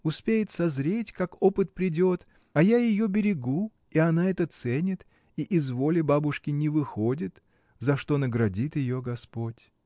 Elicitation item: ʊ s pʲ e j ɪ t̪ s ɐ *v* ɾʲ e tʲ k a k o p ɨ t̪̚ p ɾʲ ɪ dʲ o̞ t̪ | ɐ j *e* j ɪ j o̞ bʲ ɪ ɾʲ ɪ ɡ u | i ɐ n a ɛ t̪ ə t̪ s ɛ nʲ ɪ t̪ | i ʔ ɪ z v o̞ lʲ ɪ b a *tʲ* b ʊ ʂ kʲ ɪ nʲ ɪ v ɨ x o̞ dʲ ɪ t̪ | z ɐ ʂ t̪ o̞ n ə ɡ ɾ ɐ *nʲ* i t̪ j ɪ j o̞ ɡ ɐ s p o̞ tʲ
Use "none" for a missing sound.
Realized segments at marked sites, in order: z, a, none, dʲ

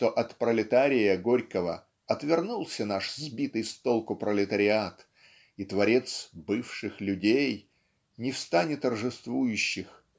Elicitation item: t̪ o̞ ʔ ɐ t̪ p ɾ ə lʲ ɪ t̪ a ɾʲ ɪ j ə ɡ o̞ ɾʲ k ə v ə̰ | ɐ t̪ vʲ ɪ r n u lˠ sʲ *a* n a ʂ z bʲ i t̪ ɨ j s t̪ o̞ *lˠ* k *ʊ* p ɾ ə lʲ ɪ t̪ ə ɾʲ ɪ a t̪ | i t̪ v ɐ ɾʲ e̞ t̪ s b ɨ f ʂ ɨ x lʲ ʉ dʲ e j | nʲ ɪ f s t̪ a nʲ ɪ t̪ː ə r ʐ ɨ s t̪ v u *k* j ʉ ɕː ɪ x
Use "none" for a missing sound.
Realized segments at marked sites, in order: ə, lˠ, ʊ, none

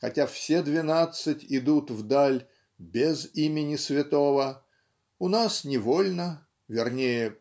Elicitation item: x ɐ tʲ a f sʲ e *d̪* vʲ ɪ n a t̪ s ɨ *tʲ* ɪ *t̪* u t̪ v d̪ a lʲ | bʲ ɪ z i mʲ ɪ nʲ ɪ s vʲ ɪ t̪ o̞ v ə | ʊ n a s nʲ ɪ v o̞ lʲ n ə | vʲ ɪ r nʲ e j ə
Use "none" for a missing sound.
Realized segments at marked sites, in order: d̪, tʲ, d̪

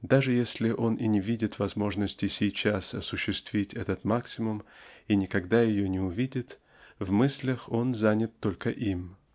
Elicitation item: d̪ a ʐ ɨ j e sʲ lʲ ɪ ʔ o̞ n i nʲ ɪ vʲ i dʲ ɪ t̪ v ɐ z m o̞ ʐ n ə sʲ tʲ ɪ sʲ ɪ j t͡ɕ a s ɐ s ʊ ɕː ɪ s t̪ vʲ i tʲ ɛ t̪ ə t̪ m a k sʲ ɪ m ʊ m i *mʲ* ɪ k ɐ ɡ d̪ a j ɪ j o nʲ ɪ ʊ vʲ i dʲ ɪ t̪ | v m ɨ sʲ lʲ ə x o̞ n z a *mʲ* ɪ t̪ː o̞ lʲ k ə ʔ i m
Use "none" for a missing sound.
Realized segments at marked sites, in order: nʲ, nʲ

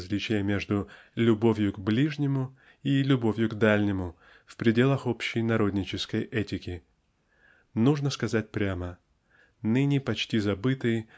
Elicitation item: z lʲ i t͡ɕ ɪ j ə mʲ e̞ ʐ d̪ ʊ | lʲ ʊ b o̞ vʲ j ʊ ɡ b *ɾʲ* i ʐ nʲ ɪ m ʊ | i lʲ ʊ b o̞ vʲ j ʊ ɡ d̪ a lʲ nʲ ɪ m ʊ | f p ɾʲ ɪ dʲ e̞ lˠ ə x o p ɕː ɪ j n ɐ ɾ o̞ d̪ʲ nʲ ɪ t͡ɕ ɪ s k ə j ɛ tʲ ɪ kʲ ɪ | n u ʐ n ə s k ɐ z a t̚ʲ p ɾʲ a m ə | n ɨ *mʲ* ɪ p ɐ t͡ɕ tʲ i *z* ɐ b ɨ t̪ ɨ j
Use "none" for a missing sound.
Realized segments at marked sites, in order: lʲ, nʲ, z

